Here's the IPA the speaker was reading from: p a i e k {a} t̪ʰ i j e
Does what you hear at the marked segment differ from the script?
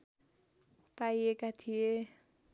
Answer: no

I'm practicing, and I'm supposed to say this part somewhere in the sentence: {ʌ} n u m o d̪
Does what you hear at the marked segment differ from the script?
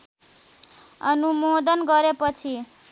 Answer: no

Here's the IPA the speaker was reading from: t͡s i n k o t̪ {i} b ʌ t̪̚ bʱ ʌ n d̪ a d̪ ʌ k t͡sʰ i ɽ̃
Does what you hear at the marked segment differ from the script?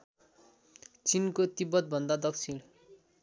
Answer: no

